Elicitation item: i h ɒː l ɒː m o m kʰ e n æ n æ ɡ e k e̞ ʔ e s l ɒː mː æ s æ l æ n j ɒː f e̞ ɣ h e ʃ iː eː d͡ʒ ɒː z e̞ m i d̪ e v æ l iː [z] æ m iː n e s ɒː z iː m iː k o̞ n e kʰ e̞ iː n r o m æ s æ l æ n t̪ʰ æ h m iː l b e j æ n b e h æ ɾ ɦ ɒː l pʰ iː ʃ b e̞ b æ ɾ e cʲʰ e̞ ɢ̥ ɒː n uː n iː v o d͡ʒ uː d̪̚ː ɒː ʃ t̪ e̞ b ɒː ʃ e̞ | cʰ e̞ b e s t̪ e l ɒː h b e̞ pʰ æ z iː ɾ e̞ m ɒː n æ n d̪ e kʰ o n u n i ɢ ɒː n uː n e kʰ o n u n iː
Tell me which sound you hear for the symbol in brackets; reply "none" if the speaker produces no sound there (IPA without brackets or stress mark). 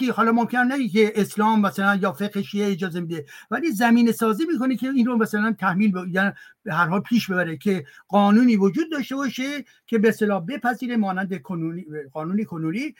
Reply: z